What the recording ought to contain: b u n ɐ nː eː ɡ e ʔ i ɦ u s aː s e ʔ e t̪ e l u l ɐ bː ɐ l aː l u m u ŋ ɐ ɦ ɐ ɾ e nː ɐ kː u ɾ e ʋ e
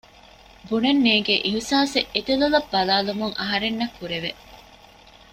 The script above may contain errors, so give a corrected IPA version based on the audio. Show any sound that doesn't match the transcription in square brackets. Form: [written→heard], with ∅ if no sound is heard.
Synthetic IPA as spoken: b u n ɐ nː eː ɡ e ʔ i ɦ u s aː s e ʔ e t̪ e l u l ɐ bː ɐ l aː l u m u ŋ ɐ ɦ ɐ ɾ e nː ɐ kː u ɾ e ʋ e